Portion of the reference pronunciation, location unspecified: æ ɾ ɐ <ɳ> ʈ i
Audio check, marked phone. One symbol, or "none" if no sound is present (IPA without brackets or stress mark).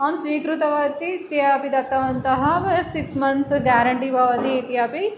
ɳ